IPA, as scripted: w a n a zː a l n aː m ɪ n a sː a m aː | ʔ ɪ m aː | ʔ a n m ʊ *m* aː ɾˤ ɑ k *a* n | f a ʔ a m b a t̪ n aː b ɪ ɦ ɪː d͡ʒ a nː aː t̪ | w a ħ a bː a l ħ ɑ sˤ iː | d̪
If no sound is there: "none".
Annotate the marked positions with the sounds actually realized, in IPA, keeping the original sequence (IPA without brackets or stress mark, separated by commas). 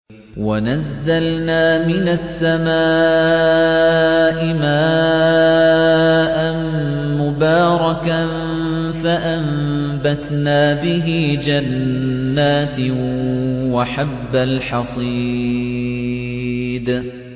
b, a